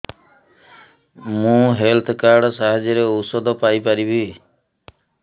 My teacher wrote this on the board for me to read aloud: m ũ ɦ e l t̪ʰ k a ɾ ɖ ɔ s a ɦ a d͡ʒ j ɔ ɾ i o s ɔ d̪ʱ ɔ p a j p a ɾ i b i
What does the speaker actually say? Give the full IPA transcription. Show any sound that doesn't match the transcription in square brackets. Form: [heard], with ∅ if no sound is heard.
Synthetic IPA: m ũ ɦ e l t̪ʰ k a ɾ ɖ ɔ s a ɦ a d͡ʒ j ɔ ɾ [e] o s ɔ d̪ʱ ɔ p a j p a ɾ i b i